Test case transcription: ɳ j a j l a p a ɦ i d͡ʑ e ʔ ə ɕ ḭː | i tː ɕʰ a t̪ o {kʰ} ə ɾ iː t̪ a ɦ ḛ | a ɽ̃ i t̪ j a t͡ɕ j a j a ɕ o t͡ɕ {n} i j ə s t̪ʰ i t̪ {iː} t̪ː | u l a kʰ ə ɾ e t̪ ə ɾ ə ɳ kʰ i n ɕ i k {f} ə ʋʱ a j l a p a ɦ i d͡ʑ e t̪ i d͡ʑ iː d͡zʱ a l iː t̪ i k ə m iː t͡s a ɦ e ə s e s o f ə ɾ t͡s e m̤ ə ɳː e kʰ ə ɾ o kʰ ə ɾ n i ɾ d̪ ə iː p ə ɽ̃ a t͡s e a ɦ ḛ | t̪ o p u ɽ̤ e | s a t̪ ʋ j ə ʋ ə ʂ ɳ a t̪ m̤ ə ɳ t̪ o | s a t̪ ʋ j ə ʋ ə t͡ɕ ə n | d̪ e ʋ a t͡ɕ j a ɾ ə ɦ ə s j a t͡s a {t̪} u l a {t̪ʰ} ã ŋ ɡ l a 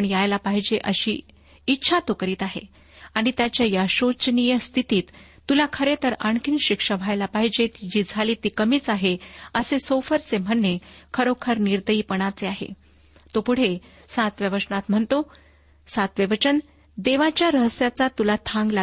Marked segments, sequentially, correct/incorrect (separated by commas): incorrect, correct, correct, incorrect, correct, correct